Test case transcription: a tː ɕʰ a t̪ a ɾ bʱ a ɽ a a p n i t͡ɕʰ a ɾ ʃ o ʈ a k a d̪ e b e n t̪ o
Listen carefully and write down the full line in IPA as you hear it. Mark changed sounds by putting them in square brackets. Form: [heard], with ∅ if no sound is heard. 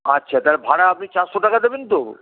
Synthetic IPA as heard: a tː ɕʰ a t̪ a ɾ bʱ a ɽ a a p n i [t͡ɕ] a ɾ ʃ o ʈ a k a d̪ e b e n t̪ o